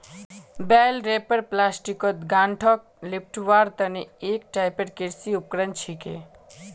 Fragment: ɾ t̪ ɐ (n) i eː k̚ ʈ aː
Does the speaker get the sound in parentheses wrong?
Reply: no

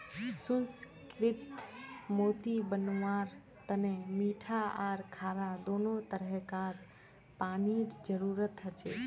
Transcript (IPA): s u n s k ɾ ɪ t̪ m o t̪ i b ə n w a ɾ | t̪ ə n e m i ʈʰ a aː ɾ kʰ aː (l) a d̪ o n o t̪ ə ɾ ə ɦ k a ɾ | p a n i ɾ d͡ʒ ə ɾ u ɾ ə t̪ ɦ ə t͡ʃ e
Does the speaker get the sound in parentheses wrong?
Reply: yes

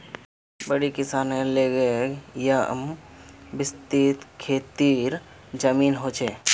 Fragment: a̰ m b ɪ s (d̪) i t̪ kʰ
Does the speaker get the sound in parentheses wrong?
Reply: yes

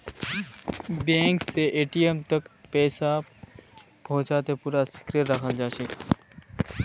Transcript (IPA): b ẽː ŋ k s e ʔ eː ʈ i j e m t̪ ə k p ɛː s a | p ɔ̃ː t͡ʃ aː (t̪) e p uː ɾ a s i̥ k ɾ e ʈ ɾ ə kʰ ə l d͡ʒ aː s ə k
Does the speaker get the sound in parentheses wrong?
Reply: no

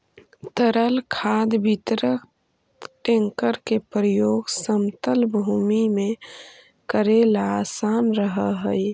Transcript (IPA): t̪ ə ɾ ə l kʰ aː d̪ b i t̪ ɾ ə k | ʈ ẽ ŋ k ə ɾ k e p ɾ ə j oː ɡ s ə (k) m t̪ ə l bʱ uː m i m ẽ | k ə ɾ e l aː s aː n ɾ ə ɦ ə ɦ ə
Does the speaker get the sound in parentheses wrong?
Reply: yes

